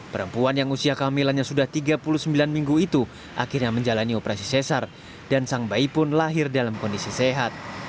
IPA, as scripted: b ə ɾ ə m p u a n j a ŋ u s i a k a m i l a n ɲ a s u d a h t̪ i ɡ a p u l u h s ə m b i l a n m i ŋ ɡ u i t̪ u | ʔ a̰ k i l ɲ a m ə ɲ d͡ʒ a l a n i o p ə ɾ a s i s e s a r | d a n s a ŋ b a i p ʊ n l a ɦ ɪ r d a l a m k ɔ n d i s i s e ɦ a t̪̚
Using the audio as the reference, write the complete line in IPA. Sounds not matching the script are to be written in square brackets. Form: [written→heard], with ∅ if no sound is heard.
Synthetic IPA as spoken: [b→p] ə ɾ ə m p u a n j a ŋ u s i a k a m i l a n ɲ a s u d a h t̪ i ɡ a p u l u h s ə m b i l a n m i ŋ ɡ u i t̪ u | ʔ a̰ k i [l→r] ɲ a m ə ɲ d͡ʒ a l a n i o p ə ɾ a s i s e s a r | d a n s a ŋ b a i p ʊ n l a ɦ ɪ r d a l a m k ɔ n d i s i s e ɦ a t̪̚